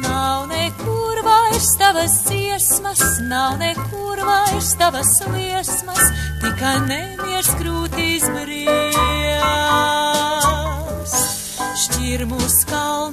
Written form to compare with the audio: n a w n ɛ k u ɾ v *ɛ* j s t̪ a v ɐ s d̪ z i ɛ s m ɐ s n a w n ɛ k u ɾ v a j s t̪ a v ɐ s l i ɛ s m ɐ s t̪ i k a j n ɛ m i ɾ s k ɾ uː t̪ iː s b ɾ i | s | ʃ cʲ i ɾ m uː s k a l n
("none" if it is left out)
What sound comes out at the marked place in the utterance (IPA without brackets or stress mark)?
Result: a